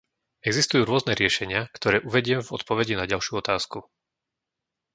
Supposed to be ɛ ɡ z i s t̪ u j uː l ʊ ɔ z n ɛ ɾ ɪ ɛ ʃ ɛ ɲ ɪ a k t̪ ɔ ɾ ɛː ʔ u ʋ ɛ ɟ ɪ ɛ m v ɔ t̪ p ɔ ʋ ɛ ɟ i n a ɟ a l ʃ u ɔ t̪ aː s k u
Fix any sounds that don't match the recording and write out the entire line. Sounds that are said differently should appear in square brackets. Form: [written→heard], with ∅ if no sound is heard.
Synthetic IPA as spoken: ɛ ɡ z i s t̪ u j uː [l→ɾ] ʊ ɔ z n ɛ ɾ ɪ ɛ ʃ ɛ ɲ ɪ a k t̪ ɔ ɾ ɛː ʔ u ʋ ɛ ɟ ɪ ɛ m v ɔ t̪ p ɔ ʋ ɛ ɟ i n a ɟ a l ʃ u ɔ t̪ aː s k u